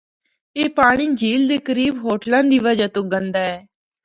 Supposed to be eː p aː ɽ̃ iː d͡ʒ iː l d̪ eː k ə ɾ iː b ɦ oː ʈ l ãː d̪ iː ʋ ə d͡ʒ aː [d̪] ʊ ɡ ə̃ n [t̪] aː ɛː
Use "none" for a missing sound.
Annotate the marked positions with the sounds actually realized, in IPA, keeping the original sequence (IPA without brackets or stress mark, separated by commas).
t̪, d̪